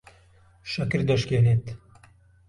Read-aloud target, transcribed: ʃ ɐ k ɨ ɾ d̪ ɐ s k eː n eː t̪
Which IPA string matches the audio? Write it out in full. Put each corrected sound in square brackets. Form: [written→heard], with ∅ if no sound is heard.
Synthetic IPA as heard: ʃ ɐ k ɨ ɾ d̪ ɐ [s→ʃ] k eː n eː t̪

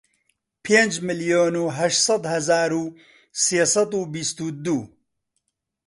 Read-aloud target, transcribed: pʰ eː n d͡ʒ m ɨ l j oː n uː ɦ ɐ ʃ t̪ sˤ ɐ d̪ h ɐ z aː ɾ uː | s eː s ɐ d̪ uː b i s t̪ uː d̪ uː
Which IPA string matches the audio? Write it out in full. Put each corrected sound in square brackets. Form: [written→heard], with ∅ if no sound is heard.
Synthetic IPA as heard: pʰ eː n d͡ʒ m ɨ l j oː n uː ɦ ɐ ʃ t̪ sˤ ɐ d̪ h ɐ z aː ɾ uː | s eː s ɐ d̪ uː b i s t̪ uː d̪ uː

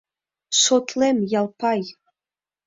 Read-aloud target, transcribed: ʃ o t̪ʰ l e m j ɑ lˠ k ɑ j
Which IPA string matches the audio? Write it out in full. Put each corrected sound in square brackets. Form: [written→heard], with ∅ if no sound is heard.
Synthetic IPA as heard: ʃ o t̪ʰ l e m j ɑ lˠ [k→p] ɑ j

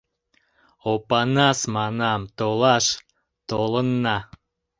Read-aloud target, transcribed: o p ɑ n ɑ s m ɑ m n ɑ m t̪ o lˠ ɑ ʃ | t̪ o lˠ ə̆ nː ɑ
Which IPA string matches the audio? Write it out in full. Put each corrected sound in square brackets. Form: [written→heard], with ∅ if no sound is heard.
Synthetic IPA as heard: o p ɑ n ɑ s m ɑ [m→∅] n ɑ m t̪ o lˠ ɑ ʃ | t̪ o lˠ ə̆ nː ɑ

